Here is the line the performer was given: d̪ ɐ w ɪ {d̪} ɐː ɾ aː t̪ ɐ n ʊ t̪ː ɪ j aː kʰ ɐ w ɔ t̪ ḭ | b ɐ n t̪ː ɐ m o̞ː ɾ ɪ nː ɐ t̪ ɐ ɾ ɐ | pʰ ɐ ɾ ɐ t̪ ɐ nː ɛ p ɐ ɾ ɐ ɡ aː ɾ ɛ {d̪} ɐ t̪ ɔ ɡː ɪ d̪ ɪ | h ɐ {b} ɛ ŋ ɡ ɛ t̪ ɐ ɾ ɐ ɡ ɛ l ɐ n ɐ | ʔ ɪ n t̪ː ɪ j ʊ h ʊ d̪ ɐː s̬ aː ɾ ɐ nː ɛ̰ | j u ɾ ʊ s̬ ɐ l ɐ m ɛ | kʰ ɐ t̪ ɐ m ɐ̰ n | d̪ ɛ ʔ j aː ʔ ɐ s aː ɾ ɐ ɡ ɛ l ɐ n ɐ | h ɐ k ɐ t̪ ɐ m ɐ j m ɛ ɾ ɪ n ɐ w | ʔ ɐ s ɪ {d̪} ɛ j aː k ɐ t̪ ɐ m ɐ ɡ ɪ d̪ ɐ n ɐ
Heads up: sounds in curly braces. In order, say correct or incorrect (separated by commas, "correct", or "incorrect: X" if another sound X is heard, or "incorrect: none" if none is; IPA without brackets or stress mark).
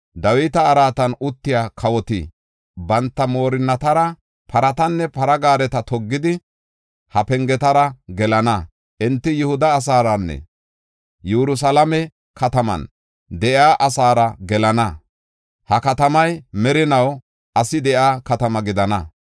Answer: incorrect: t̪, incorrect: t̪, incorrect: p, correct